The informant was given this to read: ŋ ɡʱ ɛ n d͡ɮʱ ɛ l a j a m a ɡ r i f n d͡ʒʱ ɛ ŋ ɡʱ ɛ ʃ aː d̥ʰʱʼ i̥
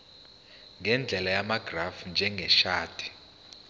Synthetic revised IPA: ŋ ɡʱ ɛ n d͡ɮʱ ɛ l a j a m a ɡ r a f n d͡ʒʱ ɛ ŋ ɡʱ ɛ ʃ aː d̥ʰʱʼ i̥